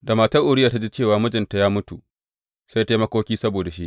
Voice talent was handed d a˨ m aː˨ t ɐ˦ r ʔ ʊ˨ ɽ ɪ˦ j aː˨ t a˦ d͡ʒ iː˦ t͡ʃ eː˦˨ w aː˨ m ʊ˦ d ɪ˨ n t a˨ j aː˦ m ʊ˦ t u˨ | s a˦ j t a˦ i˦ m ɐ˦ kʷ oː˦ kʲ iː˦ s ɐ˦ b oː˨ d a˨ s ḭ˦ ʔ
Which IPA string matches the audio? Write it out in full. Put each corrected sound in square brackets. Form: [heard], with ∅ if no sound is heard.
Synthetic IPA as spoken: d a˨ m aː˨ t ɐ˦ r ʔ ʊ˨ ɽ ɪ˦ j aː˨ t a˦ d͡ʒ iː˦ t͡ʃ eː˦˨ w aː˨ m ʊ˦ [d͡ʒ] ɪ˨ n t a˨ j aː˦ m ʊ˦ t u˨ | s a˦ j t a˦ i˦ m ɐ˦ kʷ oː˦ kʲ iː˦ s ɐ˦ b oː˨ d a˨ [ʃ] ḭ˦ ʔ

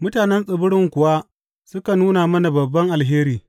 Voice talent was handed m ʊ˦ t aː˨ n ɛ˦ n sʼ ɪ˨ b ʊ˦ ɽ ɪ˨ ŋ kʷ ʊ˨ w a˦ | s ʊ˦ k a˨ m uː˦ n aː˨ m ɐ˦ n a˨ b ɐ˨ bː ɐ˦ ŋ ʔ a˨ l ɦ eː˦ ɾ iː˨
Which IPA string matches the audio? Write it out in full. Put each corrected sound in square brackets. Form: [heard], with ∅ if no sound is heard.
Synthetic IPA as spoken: m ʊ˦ t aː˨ n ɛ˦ n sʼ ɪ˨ b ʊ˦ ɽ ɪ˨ ŋ kʷ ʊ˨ w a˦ | s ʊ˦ k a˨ [n] uː˦ n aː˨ m ɐ˦ n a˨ b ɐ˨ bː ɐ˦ ŋ ʔ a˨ l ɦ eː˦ ɾ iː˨

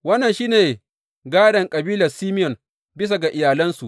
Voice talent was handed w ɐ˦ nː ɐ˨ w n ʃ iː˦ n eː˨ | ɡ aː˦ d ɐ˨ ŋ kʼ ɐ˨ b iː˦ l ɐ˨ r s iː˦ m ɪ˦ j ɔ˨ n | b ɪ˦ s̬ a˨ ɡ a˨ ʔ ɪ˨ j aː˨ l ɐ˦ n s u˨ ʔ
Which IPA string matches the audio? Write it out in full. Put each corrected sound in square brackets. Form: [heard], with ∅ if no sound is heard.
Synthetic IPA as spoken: w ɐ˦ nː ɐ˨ [∅] n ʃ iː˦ n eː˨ | ɡ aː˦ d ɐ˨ ŋ kʼ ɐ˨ b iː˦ l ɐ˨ r s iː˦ m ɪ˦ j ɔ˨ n | b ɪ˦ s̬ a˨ ɡ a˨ ʔ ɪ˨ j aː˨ l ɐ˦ n s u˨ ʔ

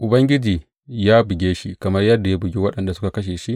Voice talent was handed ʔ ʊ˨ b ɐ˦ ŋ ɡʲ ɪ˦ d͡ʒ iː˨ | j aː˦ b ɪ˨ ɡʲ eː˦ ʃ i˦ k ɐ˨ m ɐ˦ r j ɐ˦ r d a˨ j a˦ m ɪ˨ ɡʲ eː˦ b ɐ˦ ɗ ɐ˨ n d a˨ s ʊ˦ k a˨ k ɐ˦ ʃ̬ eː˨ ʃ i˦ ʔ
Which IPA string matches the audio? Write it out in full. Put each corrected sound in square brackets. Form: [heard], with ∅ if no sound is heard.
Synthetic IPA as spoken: ʔ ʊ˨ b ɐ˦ ŋ ɡʲ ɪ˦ d͡ʒ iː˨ | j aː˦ b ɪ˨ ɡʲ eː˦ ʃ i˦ k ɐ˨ m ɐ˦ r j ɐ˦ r d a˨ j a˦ [b] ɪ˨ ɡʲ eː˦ [w] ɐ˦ ɗ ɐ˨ n d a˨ s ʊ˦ k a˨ k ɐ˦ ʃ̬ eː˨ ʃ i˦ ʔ

